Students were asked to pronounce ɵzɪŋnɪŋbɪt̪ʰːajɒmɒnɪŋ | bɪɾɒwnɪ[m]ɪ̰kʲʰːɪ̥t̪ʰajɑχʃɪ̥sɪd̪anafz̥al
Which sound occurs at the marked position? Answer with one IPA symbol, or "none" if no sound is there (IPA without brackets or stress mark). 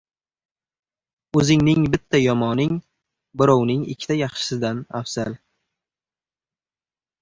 ŋ